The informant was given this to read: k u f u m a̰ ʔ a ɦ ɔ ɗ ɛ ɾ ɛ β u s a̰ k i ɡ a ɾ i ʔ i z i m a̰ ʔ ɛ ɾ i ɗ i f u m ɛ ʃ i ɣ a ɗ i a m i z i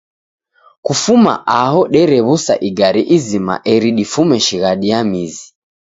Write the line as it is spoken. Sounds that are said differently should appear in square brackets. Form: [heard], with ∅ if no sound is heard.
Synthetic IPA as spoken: k u f u m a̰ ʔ a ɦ ɔ ɗ ɛ ɾ ɛ β u s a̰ [ʔ] i ɡ a ɾ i ʔ i z i m a̰ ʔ ɛ ɾ i ɗ i f u m ɛ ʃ i ɣ a ɗ i a m i z i